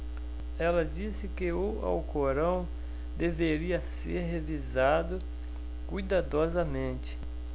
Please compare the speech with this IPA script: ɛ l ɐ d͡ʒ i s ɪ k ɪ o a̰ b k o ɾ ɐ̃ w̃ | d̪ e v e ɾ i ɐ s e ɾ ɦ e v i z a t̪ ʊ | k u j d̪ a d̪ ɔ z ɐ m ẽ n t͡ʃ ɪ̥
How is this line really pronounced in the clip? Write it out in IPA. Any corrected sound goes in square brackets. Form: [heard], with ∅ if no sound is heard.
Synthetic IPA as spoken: ɛ l ɐ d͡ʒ i s ɪ k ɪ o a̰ [w] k o ɾ ɐ̃ w̃ | d̪ e v e ɾ i ɐ s e ɾ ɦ e v i z a [d̪] ʊ | k u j d̪ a d̪ ɔ z ɐ m ẽ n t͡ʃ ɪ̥